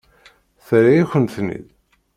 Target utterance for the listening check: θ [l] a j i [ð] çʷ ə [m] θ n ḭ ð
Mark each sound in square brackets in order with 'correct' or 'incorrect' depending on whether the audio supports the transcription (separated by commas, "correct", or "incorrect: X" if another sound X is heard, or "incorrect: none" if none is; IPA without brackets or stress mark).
incorrect: ɾ, incorrect: none, incorrect: n